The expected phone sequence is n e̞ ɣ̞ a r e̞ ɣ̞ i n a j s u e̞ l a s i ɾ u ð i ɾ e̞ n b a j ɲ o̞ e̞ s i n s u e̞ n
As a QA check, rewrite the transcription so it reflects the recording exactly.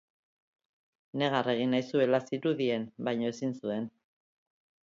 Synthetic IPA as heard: n e̞ ɣ̞ a r e̞ ɣ̞ i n a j s u e̞ l a s i ɾ u ð i e̞ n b a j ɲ o̞ e̞ s i n s u e̞ n